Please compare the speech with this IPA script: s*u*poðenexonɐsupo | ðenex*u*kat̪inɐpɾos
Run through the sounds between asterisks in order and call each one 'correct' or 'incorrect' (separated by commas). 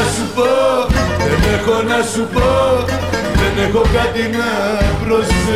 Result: correct, incorrect